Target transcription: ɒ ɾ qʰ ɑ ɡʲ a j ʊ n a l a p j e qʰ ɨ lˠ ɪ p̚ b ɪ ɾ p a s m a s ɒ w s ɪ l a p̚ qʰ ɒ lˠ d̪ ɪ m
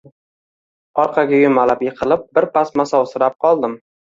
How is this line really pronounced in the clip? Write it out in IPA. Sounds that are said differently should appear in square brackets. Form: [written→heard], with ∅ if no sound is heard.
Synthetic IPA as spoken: ɒ ɾ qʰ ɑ ɡʲ a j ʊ [n→m] a l a p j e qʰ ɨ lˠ ɪ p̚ b ɪ ɾ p a s m a s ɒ w s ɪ [l→ɾ] a p̚ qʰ ɒ lˠ d̪ ɪ m